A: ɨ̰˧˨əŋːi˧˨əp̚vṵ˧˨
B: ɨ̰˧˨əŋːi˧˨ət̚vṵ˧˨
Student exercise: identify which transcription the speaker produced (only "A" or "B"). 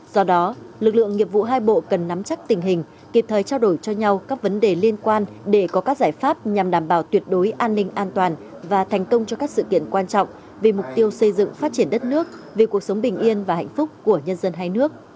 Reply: A